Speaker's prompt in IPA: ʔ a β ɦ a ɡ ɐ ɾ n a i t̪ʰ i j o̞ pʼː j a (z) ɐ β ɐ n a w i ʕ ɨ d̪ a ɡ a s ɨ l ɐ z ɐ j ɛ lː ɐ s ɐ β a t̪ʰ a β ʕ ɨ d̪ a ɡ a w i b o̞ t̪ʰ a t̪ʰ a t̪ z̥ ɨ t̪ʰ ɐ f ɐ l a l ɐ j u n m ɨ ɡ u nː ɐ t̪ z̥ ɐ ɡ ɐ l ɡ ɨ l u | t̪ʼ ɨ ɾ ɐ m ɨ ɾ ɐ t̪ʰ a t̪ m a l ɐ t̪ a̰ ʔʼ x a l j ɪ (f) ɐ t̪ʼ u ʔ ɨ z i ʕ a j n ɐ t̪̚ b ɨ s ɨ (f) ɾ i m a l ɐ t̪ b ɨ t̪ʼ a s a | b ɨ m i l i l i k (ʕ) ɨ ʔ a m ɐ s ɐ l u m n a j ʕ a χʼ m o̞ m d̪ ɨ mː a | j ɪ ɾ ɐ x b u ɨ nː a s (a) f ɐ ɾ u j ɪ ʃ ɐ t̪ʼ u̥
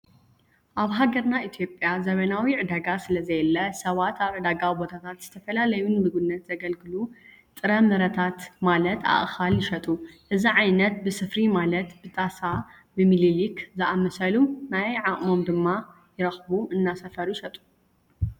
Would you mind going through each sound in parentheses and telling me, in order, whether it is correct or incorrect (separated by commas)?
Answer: correct, incorrect, correct, incorrect, incorrect